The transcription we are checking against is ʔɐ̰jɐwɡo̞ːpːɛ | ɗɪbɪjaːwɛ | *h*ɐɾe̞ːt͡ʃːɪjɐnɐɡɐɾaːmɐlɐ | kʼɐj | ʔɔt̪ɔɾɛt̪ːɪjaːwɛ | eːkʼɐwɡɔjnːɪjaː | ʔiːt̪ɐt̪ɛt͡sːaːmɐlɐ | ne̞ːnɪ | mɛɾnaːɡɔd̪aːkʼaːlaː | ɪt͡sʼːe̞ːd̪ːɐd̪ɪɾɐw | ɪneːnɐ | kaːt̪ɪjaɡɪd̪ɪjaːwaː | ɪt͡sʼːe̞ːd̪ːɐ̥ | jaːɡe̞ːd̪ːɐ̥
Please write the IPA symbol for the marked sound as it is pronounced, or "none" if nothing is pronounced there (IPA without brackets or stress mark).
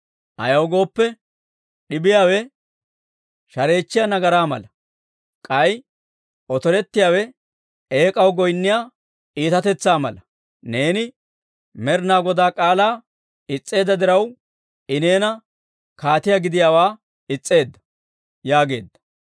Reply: ʃ